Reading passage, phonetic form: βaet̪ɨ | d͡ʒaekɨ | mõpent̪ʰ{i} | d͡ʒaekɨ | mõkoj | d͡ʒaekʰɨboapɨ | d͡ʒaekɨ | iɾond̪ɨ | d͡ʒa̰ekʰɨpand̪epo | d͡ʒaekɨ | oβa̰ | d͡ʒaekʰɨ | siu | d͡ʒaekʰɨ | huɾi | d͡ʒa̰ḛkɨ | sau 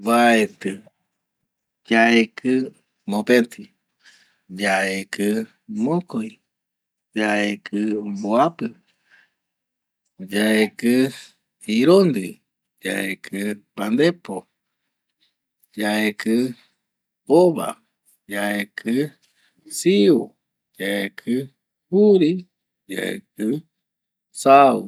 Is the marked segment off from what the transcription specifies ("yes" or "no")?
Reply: no